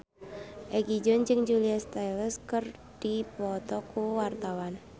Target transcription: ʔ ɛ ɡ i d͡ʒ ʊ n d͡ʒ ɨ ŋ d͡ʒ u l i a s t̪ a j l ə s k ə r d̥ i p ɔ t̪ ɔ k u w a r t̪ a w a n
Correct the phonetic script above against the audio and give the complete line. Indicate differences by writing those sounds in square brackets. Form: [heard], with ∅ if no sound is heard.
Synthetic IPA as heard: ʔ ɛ ɡ i d͡ʒ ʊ n d͡ʒ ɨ ŋ d͡ʒ u l i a s t̪ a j l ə s k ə r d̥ i p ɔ t̪ ɔ k u w a r t̪ a w a n